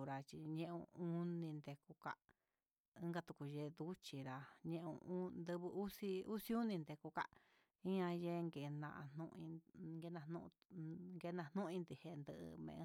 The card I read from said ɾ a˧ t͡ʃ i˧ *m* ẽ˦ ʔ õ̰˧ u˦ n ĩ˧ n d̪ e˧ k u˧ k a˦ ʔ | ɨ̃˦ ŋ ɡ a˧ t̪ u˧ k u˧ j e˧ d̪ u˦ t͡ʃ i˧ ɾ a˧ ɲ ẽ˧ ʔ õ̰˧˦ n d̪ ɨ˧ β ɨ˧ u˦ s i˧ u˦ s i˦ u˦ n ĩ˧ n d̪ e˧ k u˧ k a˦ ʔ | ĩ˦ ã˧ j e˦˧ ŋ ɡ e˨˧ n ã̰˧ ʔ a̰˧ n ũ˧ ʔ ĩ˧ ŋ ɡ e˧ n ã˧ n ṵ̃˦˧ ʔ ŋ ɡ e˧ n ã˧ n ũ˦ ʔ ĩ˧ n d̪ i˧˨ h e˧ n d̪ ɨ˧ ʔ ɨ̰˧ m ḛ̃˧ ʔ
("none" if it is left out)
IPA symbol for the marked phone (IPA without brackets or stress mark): ɲ